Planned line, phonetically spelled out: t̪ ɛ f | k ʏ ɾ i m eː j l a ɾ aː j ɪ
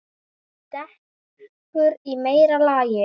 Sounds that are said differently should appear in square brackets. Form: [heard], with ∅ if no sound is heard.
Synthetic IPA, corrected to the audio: t̪ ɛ [h] | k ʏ ɾ i m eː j [ɾ] a [l] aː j ɪ

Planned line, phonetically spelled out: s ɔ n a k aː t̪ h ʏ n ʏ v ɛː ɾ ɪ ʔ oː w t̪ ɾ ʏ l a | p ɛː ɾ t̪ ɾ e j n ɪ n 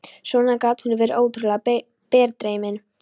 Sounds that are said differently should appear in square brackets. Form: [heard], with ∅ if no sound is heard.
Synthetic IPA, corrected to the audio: s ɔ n a k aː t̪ h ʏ n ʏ v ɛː ɾ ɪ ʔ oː w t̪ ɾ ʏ l a | p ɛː ɾ t̪ ɾ e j [m] ɪ n

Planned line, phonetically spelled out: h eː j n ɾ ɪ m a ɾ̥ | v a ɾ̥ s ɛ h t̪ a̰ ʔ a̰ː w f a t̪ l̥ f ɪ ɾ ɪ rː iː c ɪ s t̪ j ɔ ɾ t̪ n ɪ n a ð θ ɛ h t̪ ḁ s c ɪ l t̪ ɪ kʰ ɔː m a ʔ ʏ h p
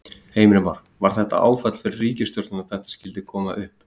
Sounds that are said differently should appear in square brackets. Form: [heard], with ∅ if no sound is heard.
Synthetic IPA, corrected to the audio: h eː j [m] ɾ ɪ m a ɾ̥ | v a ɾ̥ [θ] ɛ h t̪ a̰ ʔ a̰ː w f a t̪ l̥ f ɪ ɾ ɪ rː iː c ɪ s t̪ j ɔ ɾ t̪ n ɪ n a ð θ ɛ h t̪ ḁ s c ɪ l t̪ ɪ kʰ ɔː m a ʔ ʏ h p

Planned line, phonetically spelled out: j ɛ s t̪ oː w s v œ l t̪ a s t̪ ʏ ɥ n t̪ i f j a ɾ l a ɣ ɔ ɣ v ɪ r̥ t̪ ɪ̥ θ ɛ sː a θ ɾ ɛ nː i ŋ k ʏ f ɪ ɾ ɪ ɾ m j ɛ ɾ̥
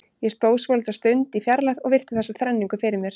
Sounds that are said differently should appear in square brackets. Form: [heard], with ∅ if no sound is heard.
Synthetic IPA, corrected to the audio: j ɛ s t̪ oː w s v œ l t̪ a s t̪ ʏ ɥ n t̪ i f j a ɾ l a [ð] ɔ ɣ v ɪ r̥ t̪ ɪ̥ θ ɛ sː a θ ɾ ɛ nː i ŋ k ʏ f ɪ ɾ ɪ ɾ m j ɛ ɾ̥

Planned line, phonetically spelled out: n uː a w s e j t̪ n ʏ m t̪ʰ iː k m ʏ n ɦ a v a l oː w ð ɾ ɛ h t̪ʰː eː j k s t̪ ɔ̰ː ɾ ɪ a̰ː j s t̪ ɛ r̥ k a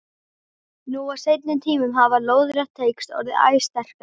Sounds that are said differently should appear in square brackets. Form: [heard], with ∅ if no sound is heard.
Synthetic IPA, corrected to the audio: n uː a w s e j t̪ n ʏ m t̪ʰ iː [∅] m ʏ [m] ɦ a v a l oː w ð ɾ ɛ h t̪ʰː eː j k s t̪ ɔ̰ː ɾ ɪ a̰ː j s t̪ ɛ r̥ k a

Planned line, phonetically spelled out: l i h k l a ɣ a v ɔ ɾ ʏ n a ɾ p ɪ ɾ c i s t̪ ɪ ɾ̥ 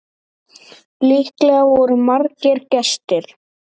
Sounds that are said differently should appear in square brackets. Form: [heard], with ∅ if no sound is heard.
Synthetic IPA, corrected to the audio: l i h k l [ɛ] ɣ a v ɔ ɾ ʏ [m] a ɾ [c] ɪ ɾ c [ɛ] s t̪ ɪ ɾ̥

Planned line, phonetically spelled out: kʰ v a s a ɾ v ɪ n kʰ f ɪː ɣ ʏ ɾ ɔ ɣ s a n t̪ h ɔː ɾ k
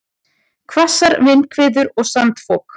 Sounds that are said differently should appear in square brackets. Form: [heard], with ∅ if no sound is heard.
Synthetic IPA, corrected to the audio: kʰ v a s a ɾ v ɪ n kʰ [v] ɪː [ð] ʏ ɾ ɔ ɣ s a n t̪ [f] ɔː [∅] k

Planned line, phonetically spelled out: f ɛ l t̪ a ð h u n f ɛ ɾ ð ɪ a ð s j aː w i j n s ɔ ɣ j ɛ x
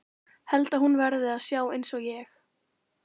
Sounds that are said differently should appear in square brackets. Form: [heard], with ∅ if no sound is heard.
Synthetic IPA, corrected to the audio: [h] ɛ l t̪ a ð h u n [v] ɛ ɾ ð ɪ a ð s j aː w [e] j n s ɔ ɣ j ɛ x

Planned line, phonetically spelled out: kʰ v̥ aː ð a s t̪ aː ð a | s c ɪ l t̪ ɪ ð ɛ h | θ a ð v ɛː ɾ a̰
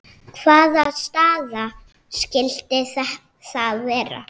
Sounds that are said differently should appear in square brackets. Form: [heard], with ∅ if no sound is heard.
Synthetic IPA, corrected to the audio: kʰ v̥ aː ð a s t̪ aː ð a | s c ɪ l t̪ ɪ [θ] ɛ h | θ a ð v ɛː ɾ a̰

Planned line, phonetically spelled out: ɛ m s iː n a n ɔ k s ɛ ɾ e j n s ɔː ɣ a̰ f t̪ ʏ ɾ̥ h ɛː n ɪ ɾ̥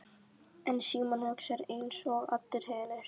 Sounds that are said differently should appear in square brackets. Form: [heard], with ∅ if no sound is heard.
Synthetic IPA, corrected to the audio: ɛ [n] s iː [m] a n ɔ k s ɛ ɾ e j n s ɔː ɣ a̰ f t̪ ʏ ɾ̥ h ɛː n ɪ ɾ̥

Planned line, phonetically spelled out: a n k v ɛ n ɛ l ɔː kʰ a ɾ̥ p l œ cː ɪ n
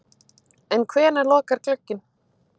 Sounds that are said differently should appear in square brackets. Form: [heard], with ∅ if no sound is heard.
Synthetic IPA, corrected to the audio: [ɛ] n [kʰ] v [ɛː] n [a] l ɔː [k] a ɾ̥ [k] l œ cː ɪ n

